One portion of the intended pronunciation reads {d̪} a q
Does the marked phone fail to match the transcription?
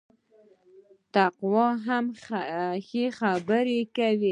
yes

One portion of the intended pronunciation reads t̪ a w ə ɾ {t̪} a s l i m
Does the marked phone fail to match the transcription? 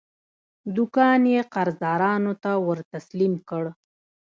no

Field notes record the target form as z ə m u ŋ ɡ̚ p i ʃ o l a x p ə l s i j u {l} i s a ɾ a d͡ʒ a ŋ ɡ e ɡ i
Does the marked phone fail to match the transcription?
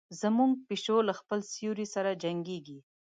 yes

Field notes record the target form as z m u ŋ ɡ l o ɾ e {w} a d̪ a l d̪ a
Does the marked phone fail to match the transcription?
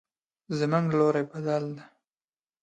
yes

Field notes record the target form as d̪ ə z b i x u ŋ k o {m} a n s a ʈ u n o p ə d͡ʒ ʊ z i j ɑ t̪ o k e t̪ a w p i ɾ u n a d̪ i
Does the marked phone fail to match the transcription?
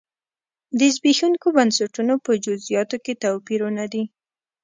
yes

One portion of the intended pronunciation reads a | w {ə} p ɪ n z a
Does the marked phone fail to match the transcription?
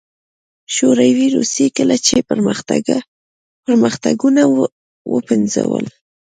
no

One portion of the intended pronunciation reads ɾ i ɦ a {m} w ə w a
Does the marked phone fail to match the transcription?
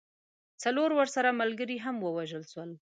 no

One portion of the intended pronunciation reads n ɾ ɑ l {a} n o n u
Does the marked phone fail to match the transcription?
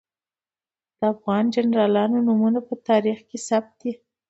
yes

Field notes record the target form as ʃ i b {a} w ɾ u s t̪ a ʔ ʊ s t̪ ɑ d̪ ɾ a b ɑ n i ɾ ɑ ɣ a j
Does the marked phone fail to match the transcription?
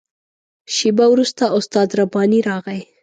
no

